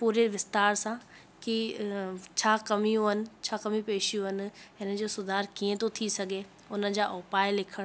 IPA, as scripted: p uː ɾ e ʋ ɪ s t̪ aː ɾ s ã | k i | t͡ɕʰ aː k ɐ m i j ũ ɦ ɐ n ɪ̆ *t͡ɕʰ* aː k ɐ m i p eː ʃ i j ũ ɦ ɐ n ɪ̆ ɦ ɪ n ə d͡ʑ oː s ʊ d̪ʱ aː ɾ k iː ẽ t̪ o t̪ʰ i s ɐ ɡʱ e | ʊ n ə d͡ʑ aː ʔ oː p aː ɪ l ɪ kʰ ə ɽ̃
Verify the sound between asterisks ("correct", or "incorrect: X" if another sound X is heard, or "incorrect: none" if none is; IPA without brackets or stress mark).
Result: correct